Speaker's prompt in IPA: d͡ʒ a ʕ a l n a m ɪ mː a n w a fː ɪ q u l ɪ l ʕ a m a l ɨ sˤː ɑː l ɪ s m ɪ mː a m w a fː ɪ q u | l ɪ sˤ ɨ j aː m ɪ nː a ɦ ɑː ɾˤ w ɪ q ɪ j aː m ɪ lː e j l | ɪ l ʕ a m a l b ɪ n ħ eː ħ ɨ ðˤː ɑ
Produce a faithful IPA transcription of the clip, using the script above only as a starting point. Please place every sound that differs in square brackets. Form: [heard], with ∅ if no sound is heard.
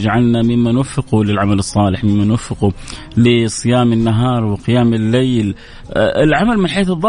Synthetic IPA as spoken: d͡ʒ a ʕ a l n a m ɪ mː a n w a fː ɪ q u l ɪ l ʕ a m a l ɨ sˤː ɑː l ɪ [ħ] m ɪ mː a [n] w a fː ɪ q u | l ɪ sˤ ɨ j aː m ɪ nː a ɦ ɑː ɾˤ w ɪ q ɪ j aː m ɪ lː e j l | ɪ l ʕ a m a l [m] ɪ n ħ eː [θ] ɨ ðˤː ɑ